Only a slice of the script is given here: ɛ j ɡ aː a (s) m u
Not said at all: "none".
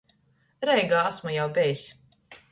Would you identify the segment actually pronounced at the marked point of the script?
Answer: s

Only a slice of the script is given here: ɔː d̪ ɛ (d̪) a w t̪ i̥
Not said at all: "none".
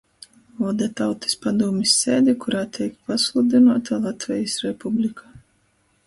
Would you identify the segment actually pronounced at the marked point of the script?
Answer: t̪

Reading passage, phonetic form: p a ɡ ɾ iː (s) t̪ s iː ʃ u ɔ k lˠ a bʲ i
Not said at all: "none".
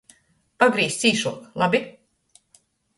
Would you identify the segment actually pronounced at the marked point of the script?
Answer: s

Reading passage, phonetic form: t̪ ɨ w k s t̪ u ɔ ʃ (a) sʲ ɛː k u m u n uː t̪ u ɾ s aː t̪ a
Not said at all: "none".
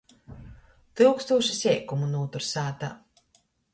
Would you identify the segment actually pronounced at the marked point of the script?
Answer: i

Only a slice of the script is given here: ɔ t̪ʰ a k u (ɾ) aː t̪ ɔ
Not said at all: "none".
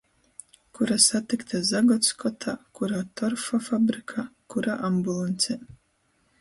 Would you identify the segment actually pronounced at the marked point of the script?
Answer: ɾ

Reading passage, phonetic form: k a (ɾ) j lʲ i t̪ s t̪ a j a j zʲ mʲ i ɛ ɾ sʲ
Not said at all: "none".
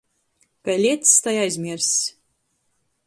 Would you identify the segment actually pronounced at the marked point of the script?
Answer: none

